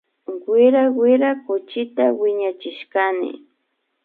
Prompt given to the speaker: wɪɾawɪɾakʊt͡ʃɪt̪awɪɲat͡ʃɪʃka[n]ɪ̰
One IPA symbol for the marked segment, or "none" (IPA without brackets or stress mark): n